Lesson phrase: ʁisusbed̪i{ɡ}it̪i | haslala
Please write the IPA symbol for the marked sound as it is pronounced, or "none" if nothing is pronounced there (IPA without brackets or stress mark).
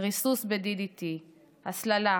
d